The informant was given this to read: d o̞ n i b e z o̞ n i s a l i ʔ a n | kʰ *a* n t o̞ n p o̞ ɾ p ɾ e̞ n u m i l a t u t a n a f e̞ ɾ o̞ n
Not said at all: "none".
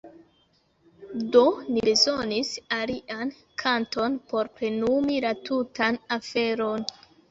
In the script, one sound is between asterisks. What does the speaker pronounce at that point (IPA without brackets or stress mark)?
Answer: a